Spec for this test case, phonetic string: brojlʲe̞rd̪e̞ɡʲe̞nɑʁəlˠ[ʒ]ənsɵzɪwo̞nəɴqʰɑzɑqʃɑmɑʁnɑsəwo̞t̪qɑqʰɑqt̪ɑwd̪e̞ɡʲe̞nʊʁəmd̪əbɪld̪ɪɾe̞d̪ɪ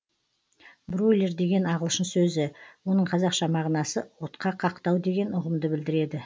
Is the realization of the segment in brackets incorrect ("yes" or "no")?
yes